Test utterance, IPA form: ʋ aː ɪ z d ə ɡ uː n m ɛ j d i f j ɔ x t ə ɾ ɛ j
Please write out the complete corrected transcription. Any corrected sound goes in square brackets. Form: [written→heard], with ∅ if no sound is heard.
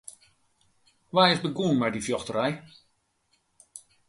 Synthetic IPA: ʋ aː ɪ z [d→b] ə ɡ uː n m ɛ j d i f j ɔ x t ə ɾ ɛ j